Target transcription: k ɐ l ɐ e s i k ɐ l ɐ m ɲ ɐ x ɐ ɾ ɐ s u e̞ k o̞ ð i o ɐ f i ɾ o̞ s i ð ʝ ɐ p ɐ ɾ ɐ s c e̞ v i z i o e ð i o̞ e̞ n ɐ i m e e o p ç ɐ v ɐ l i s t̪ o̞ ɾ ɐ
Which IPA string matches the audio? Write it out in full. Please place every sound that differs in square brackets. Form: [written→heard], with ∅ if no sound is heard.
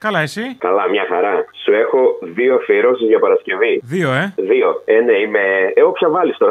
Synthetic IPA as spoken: k ɐ l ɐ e s i k ɐ l ɐ m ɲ ɐ x ɐ ɾ ɐ s u e̞ [k→x] o̞ ð i o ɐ f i ɾ o̞ s i [ð→z] ʝ ɐ p ɐ ɾ ɐ s c e̞ v i [z→ð] i o e ð i o̞ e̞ n ɐ i m e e o p ç ɐ v ɐ l i s t̪ o̞ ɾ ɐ